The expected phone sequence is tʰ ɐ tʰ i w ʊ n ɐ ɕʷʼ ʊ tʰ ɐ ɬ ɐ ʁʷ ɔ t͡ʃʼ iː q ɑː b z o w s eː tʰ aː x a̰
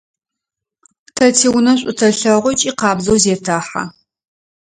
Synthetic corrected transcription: tʰ ɐ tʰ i w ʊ n ɐ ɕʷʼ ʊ tʰ ɐ ɬ ɐ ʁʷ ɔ t͡ʃʼ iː q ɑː b z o w z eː tʰ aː ħ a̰

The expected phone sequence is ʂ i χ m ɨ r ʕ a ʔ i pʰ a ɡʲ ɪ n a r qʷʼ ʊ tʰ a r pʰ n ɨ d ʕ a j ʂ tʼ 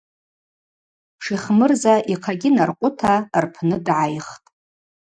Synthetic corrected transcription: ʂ i χ m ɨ r z a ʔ i qʰ a ɡʲ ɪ n a r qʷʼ ʊ tʰ a r pʰ n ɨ d ʕ a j χ tʼ

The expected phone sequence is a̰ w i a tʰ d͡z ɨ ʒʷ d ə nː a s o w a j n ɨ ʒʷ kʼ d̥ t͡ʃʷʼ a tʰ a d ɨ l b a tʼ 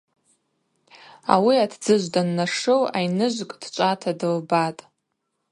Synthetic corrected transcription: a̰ w i a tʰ d͡z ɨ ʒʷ d a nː a ʂ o w a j n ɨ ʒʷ kʼ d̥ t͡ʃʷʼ a tʰ a d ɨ l b a tʼ

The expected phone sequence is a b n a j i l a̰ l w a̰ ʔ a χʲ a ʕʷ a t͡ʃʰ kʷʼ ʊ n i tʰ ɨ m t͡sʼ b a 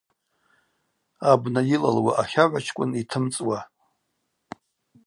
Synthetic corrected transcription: a b n a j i l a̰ l w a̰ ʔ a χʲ a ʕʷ a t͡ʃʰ kʷʼ ʊ n i tʰ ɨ m t͡sʼ w a

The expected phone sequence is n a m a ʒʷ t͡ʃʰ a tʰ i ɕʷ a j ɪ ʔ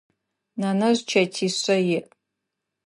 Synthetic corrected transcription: n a n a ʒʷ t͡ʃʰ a tʰ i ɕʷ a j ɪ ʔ

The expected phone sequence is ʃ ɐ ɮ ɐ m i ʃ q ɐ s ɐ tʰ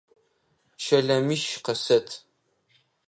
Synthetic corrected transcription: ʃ ɐ ɮ ɐ m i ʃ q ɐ s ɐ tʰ

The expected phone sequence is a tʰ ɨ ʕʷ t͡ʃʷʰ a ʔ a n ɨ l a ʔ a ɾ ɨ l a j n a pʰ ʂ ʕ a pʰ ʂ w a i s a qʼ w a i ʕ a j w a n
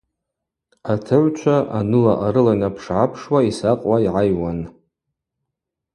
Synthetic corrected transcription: a tʰ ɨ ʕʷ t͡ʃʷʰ a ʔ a n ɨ l a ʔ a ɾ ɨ l a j n a pʰ ʂ ʕ a pʰ ʂ w a i s a qʼ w a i ʕ a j w a n

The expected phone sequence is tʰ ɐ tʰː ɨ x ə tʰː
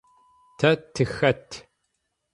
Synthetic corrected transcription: tʰ ɐ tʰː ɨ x ɐ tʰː

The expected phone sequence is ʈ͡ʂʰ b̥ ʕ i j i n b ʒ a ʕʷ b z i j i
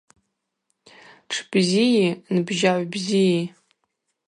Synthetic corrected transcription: ʈ͡ʂʰ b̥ z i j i n b ʒ a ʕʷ b z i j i

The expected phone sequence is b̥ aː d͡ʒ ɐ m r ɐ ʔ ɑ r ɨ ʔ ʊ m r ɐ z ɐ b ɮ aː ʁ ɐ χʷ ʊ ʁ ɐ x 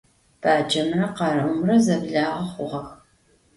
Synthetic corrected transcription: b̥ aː d͡ʒ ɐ m r ɐ q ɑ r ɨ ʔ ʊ m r ɐ z ɐ b ɮ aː ʁ ɐ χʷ ʊ ʁ ɐ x

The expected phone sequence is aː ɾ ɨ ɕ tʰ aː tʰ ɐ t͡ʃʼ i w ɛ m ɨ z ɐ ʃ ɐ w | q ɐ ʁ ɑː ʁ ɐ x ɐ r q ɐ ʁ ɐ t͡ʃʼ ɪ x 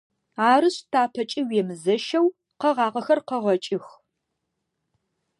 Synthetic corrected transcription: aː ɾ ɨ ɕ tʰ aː pʰ ɐ t͡ʃʼ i w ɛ m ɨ z ɐ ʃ ɐ w | q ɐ ʁ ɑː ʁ ɐ x ɐ r q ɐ ʁ ɐ t͡ʃʼ ɪ x

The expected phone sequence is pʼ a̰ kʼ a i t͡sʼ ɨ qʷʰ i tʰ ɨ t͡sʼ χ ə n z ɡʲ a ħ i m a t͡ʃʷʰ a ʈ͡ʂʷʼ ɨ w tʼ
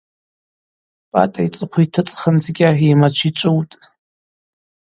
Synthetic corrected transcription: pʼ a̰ tʼ a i t͡sʼ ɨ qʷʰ i tʰ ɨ t͡sʼ χ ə n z ɡʲ a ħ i m a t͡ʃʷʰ i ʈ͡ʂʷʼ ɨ w tʼ

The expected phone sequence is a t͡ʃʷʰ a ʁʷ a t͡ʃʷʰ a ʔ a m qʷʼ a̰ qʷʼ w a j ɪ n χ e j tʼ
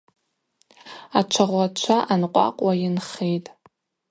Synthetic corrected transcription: a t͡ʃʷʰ a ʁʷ a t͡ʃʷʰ a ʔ a n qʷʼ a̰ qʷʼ w a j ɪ n χ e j tʼ

